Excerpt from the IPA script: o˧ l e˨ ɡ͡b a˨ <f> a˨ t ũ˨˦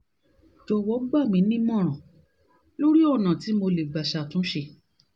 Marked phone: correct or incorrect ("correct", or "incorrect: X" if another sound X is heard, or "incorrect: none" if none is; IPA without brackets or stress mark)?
incorrect: ʃ